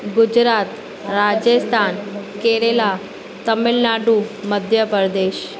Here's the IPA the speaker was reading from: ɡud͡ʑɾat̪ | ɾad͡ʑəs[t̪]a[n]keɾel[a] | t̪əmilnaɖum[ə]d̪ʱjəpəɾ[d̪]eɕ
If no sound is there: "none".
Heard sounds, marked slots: t̪ʰ, n, a, ə, d̪

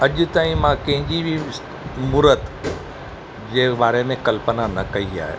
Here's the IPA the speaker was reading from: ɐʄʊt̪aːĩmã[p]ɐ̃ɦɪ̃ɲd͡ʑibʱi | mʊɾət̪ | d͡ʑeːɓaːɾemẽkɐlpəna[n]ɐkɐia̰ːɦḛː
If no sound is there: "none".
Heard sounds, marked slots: k, n

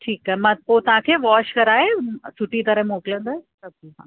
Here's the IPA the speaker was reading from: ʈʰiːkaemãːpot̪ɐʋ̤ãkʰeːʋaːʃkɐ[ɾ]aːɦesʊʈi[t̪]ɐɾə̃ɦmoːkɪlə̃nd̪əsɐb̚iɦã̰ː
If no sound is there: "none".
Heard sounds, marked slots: ɾ, t̪

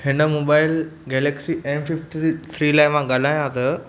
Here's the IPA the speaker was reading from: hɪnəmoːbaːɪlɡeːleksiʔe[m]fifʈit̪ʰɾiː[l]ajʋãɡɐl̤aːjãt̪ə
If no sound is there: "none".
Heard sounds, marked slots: m, l

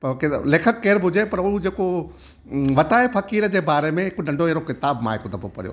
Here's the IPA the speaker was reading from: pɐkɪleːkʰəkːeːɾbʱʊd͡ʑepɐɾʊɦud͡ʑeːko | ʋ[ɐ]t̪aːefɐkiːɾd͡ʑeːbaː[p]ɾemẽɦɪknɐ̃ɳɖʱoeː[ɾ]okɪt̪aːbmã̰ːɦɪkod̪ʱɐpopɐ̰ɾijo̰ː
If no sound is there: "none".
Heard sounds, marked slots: ɐ, none, ɾ

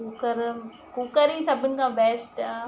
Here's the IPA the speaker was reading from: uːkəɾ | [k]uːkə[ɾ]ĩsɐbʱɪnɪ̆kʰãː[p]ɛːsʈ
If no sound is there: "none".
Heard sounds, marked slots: k, ɾ, b

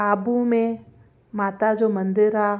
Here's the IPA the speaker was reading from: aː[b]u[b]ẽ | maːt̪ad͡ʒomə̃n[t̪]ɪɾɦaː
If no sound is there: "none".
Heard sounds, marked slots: b, m, d̪

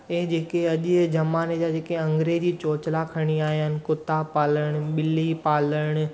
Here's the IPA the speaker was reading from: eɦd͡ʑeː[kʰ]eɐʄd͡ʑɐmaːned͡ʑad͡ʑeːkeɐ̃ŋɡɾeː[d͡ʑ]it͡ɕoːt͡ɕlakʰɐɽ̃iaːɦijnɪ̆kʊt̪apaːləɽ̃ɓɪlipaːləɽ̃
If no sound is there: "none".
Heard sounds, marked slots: k, d͡ʑ

